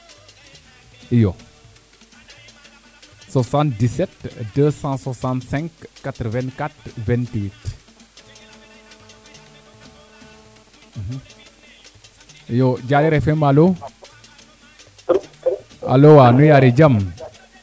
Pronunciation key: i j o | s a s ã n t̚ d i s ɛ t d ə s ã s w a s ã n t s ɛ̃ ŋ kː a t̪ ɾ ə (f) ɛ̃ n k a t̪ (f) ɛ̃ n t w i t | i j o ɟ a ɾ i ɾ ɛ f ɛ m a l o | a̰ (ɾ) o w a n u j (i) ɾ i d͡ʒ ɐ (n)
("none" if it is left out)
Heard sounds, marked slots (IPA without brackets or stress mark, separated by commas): v, v, l, a, m